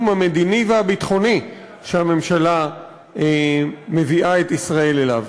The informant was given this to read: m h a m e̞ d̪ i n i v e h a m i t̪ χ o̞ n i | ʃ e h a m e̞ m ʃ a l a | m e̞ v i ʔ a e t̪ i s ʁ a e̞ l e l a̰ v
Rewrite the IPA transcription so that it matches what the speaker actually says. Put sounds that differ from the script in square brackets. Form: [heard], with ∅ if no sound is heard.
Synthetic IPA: m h a m e̞ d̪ i n i v e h a [b] i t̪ χ o̞ n i | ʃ e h a m e̞ m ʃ a l a | m e̞ v i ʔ a e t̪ i s ʁ a e̞ l e l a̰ v